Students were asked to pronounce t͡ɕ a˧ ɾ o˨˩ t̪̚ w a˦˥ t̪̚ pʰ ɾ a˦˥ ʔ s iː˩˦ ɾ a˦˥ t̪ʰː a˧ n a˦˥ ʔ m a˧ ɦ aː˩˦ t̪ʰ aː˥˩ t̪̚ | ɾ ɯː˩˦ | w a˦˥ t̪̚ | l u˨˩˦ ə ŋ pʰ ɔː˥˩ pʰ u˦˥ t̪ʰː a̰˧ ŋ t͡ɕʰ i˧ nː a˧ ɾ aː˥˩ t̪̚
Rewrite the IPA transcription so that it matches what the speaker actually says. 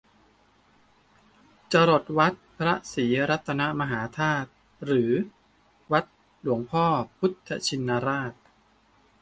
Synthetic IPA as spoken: t͡ɕ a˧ ɾ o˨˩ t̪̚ w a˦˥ t̪̚ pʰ ɾ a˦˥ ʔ s iː˩˦ ɾ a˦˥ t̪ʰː a˧ n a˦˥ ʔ m a˧ ɦ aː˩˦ t̪ʰ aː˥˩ t̪̚ | ɾ ɯː˩˦ | w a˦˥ t̪̚ | l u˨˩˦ ə ŋ pʰ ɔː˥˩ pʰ u˦˥ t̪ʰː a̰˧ t͡ɕʰ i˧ nː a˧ ɾ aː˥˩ t̪̚

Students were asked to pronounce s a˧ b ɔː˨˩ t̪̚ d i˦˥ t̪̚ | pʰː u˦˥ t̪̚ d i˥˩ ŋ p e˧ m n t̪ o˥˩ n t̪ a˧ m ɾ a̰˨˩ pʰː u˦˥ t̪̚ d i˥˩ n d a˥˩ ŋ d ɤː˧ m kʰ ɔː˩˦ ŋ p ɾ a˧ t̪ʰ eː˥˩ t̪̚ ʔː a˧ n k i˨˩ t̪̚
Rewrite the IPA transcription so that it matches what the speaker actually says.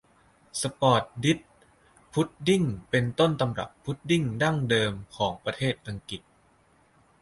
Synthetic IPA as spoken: s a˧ p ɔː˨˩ t̪̚ d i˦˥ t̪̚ | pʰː u˦˥ t̪̚ d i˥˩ ŋ p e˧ n t̪ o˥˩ n t̪ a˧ m ɾ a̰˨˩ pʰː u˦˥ t̪̚ d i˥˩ ŋ d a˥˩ ŋ d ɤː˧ m kʰ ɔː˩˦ ŋ p ɾ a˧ t̪ʰ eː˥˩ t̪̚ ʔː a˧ ŋ k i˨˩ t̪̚

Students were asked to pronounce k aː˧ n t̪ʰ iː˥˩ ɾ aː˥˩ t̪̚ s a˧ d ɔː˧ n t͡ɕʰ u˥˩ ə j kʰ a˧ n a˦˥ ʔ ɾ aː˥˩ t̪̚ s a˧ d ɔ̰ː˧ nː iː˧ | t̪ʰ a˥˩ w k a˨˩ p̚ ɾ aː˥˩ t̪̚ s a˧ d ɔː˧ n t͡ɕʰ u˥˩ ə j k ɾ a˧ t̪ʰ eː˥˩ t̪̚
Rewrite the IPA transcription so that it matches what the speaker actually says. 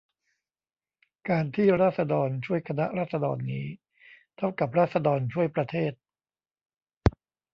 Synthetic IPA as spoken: k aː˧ n t̪ʰ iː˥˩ ɾ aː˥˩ t̪̚ s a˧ d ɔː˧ n t͡ɕʰ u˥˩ ə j kʰ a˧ n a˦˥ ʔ ɾ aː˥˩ t̪̚ s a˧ d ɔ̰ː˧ nː iː˦˥ | t̪ʰ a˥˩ w k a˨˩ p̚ ɾ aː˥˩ t̪̚ s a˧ d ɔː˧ n t͡ɕʰ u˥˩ ə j p ɾ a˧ t̪ʰ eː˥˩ t̪̚

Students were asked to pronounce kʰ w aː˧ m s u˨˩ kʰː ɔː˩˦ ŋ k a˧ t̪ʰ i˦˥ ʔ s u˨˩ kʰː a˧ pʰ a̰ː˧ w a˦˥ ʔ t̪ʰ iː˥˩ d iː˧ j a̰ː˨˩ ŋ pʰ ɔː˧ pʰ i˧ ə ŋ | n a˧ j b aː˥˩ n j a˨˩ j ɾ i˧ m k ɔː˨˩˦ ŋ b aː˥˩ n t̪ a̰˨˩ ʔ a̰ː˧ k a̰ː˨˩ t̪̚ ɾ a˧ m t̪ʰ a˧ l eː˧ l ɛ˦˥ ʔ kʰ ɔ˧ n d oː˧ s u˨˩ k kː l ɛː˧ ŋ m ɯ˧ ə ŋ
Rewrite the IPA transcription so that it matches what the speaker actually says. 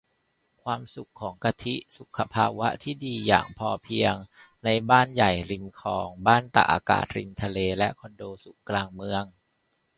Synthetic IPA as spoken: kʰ w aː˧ m s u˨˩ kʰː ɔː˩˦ ŋ k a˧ t̪ʰ i˦˥ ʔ s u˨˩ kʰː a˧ pʰ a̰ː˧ w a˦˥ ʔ t̪ʰ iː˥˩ d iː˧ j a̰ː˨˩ ŋ pʰ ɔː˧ pʰ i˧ ə ŋ | n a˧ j b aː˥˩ n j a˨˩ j ɾ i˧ m kʰ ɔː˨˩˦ ŋ b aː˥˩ n t̪ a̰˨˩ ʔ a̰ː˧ k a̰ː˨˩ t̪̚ ɾ i˧ m t̪ʰ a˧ l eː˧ l ɛ˦˥ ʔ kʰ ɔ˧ n d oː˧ s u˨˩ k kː l aː˧ ŋ m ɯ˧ ə ŋ

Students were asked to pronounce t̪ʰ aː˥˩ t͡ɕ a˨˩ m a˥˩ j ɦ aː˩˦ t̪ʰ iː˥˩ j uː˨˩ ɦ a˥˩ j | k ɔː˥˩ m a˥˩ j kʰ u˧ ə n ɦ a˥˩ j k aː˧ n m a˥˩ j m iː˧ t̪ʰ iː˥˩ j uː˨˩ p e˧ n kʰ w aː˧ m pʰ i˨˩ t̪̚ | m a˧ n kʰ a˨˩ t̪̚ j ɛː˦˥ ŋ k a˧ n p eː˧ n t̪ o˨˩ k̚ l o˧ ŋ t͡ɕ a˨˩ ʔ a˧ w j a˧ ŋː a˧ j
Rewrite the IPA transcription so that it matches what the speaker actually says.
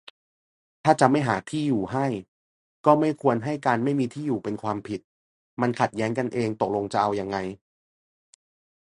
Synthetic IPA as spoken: t̪ʰ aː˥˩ t͡ɕ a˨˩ m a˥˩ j ɦ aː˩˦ t̪ʰ iː˥˩ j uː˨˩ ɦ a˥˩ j | k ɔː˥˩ m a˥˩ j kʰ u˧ ə n ɦ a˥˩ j k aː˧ n m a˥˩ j m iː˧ t̪ʰ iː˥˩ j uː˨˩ p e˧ n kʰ w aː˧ m pʰ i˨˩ t̪̚ | m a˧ n kʰ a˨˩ t̪̚ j ɛː˦˥ ŋ k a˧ n ʔ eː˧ ŋ t̪ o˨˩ k̚ l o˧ ŋ t͡ɕ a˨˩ ʔ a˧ w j a˧ ŋː a˧ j

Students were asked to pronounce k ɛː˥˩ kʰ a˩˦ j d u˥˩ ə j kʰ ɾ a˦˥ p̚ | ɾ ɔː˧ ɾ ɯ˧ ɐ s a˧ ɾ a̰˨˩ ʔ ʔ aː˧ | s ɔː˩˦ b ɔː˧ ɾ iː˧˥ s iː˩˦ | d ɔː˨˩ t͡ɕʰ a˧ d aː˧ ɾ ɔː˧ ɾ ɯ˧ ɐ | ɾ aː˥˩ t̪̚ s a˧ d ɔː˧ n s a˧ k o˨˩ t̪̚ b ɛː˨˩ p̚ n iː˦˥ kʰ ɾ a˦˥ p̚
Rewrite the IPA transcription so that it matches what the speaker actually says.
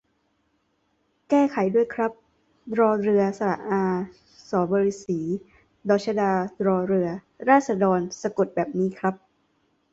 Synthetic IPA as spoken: k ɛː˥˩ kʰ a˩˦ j d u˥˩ ə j kʰ ɾ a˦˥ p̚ | ɾ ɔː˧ ɾ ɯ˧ ɐ s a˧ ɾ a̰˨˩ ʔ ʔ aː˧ | s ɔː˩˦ b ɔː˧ ɾ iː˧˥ s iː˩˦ | d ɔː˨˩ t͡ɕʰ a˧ d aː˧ ɾ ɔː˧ ɾ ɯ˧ ɐ | ɾ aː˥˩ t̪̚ s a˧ d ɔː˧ n s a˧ k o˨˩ t̪̚ b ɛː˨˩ p̚ n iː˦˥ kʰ ɾ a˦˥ p̚

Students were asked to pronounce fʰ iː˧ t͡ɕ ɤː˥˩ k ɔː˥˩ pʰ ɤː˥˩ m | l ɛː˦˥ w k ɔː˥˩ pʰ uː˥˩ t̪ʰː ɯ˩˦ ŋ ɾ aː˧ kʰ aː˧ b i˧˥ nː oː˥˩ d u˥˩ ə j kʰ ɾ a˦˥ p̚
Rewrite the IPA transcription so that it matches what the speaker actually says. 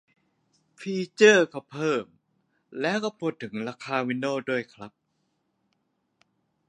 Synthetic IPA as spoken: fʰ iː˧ t͡ɕ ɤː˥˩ k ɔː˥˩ pʰ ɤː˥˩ m | l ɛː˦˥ w k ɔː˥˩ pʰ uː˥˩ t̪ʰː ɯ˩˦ ŋ ɾ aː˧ kʰ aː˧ w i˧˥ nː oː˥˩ d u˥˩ ə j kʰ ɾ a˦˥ p̚

